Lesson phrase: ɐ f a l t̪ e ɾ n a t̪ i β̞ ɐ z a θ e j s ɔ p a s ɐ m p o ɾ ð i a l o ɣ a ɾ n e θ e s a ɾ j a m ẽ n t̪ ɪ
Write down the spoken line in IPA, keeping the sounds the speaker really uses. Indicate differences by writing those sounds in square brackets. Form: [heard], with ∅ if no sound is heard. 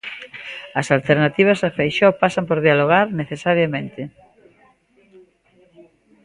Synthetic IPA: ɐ [s] a l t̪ e ɾ n a t̪ i β̞ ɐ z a [f] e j [ʃ] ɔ p a s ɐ m p o ɾ ð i a l o ɣ a ɾ n e θ e s a ɾ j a m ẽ n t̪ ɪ